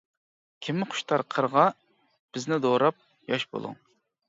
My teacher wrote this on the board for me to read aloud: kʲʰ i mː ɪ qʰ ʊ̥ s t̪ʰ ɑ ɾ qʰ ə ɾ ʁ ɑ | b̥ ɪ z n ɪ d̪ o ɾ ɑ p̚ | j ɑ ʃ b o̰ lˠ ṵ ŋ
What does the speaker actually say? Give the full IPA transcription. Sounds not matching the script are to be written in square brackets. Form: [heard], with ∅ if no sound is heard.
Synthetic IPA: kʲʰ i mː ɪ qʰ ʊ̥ [ʃ] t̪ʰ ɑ ɾ qʰ ə ɾ ʁ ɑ | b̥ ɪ z n ɪ d̪ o ɾ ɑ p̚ | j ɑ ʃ b o̰ lˠ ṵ ŋ